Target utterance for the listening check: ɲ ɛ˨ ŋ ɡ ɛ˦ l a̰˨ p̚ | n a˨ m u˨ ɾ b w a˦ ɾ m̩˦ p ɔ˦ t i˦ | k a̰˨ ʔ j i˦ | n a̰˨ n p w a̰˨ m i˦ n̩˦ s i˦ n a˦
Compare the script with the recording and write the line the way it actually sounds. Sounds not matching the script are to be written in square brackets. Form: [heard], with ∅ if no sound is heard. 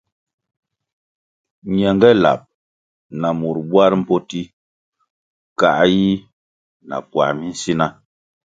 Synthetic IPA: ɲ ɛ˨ ŋ ɡ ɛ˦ l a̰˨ p̚ | n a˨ m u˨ ɾ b w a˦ ɾ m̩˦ p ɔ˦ t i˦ | k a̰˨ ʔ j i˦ | n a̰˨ [∅] p w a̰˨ m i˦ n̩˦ s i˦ n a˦